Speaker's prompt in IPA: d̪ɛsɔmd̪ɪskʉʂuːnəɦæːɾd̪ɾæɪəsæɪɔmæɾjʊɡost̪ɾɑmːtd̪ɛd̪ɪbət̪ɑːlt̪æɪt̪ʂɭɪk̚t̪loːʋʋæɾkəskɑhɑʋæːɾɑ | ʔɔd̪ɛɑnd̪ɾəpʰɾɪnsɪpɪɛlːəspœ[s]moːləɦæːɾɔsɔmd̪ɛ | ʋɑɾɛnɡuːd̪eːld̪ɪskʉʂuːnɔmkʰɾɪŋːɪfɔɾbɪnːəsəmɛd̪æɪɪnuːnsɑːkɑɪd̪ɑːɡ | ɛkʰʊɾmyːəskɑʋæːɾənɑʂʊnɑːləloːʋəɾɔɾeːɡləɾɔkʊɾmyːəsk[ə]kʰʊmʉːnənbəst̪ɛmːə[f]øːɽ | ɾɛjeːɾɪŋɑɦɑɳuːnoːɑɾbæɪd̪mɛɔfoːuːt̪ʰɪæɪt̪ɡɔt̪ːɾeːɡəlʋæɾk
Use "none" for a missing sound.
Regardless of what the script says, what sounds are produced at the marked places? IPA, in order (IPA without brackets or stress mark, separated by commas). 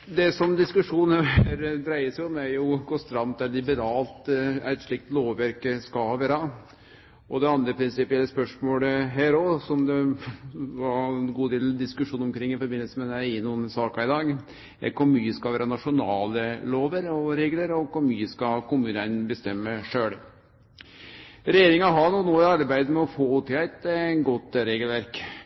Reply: ʂ, ɑ, ʂ